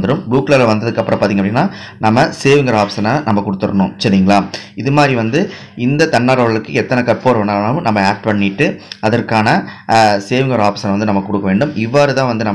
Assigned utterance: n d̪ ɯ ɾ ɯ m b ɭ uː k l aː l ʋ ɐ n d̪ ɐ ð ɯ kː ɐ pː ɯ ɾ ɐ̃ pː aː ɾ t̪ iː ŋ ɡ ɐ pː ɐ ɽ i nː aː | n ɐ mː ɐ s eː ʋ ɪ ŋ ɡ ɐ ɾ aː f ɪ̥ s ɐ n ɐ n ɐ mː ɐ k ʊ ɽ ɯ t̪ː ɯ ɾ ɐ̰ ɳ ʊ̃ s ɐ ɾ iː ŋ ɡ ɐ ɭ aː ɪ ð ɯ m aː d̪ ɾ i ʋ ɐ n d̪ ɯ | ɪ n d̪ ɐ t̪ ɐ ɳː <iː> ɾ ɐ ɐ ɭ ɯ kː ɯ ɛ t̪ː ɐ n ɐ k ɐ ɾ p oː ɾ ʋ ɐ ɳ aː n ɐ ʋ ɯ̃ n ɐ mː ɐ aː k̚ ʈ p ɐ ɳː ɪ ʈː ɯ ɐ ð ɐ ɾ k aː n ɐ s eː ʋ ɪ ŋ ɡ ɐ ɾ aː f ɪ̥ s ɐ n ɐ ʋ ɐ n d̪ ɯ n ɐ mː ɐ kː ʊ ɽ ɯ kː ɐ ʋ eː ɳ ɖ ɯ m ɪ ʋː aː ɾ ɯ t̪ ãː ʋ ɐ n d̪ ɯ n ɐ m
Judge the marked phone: incorrect: aː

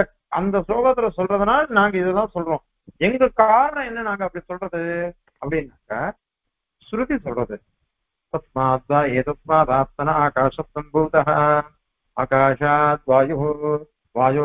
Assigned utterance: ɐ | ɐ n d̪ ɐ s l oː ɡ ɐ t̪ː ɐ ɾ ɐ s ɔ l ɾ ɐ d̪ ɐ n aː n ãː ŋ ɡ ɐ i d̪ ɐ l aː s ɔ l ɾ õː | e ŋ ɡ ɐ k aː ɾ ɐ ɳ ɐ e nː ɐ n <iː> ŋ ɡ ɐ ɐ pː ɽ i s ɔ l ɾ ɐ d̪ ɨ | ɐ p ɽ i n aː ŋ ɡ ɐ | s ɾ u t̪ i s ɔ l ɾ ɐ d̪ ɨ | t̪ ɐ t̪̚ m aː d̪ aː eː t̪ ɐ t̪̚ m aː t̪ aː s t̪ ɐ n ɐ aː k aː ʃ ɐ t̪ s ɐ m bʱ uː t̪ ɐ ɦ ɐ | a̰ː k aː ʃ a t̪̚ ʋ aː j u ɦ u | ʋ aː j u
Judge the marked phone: incorrect: aː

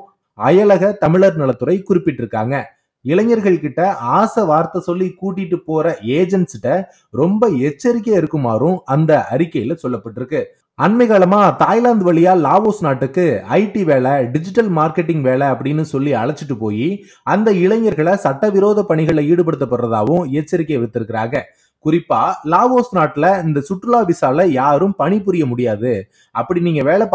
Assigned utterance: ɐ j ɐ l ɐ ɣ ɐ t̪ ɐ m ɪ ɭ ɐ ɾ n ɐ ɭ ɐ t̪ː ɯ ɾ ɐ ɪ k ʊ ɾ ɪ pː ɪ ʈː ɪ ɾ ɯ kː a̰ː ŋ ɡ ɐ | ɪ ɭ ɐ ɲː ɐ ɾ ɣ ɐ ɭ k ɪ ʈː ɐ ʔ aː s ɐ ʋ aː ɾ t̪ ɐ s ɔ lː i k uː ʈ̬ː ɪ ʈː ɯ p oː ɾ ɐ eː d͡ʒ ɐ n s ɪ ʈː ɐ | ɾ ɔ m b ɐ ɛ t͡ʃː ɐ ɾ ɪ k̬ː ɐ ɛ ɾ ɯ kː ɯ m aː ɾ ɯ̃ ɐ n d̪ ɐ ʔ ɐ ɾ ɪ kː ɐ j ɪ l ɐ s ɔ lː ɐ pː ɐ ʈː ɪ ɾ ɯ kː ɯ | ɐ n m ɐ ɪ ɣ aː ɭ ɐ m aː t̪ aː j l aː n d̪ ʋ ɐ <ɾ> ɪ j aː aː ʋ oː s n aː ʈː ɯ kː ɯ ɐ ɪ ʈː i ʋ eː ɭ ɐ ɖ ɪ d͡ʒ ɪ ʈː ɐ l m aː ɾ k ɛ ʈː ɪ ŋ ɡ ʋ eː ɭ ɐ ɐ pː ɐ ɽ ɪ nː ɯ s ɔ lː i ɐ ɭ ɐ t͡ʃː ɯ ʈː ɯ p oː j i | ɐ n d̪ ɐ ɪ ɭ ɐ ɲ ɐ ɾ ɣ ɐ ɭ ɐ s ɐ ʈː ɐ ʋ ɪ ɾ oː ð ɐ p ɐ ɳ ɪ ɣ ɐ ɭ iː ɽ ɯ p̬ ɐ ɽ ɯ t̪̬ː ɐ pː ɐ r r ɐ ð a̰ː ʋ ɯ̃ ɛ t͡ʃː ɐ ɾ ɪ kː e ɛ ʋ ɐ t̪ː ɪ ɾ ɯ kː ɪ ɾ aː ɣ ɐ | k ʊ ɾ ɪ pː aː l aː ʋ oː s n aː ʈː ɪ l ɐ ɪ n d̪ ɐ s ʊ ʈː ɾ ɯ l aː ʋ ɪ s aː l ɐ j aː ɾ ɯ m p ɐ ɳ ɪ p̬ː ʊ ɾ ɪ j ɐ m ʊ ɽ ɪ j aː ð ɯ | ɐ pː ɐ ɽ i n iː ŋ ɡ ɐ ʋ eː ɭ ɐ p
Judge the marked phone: incorrect: ɭ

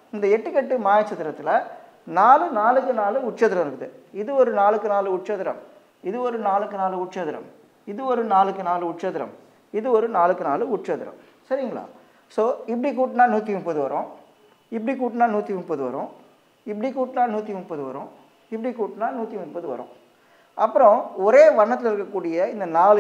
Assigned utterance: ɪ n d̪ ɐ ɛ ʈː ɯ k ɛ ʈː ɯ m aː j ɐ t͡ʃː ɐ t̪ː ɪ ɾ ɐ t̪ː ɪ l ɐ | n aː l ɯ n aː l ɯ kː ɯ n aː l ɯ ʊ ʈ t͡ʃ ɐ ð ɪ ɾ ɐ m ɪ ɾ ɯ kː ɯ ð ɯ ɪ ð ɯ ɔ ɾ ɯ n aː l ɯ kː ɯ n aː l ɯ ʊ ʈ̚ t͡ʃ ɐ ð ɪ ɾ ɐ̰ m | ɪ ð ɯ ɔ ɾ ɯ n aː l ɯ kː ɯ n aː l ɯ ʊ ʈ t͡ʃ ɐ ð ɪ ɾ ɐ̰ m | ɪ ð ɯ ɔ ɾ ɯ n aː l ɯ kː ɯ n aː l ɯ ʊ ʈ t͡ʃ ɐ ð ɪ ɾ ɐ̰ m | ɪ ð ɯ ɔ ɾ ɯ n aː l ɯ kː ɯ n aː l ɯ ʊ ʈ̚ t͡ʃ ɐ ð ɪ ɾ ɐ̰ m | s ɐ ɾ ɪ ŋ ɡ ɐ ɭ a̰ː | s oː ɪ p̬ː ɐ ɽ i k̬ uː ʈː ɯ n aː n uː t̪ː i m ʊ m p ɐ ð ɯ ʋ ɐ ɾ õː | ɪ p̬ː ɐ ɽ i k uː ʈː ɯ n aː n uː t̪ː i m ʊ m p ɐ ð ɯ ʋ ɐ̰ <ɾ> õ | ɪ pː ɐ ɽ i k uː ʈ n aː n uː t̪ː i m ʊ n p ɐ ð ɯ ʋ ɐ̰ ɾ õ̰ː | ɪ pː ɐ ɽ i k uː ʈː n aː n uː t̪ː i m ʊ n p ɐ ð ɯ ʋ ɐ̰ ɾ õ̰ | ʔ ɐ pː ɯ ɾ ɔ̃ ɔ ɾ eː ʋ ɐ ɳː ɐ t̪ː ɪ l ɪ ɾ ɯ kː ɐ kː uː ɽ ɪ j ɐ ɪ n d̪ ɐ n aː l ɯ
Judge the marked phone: correct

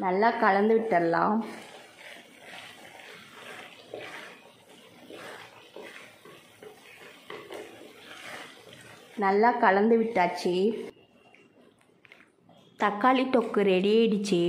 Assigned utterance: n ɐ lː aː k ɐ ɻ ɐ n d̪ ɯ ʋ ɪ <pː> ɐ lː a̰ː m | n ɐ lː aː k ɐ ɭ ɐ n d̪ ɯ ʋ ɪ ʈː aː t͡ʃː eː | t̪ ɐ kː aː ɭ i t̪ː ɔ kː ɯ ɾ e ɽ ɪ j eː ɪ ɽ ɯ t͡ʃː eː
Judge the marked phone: incorrect: ʈː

